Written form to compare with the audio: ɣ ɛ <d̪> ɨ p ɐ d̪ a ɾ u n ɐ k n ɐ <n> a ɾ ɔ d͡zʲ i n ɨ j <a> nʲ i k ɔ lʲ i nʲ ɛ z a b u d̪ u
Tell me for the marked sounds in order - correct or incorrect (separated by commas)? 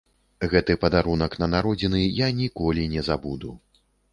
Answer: incorrect, correct, correct